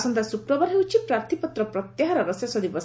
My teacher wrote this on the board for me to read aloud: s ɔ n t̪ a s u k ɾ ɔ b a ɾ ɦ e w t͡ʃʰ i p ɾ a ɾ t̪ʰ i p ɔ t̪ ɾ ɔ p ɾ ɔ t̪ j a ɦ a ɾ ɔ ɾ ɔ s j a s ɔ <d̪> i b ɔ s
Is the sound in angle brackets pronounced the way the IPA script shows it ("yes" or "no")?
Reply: yes